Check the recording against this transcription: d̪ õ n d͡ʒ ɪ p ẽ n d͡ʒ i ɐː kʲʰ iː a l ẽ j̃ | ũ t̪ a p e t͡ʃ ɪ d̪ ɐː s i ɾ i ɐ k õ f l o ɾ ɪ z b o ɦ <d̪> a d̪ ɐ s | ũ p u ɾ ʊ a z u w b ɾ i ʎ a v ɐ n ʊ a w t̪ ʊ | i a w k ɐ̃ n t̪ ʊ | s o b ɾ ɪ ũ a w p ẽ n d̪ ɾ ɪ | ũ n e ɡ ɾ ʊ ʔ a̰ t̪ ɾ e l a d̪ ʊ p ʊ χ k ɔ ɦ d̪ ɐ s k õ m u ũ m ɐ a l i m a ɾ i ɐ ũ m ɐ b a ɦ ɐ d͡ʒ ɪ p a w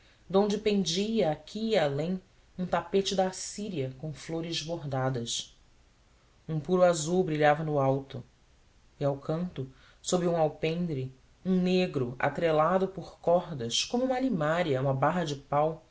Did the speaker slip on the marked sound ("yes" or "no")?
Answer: no